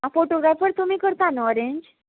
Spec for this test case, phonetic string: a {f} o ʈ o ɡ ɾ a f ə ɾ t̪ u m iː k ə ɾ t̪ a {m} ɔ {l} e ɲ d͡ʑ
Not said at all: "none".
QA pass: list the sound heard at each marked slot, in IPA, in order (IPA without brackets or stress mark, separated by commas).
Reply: f, n, ɾ